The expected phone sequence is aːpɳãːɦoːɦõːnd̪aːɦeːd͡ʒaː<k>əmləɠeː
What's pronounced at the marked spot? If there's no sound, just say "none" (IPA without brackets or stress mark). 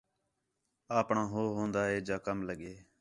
k